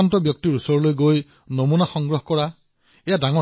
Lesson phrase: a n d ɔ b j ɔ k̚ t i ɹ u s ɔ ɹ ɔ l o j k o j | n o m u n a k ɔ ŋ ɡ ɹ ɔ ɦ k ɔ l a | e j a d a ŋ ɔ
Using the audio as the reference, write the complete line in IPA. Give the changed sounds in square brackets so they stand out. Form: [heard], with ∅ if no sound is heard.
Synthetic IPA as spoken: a n [t] ɔ b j ɔ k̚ t i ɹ u s ɔ ɹ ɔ l o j [ɡ] o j | n o m u n a [x] ɔ ŋ ɡ ɹ ɔ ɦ k ɔ [ɹ] a | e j a d a ŋ ɔ